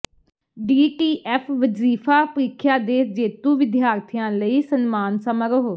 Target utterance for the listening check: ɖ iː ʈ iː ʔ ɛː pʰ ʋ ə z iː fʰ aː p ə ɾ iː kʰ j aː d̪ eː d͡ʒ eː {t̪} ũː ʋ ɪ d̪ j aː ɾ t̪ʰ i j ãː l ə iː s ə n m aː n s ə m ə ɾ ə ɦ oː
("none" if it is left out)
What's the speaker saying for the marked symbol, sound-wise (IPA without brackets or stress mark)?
t̪